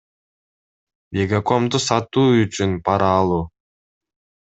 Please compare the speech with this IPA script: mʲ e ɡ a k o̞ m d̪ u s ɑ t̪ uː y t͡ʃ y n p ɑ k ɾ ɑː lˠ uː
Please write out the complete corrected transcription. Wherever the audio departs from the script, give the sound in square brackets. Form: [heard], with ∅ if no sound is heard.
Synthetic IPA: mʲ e ɡ a k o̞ m d̪ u s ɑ t̪ uː y t͡ʃ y n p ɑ [∅] ɾ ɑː lˠ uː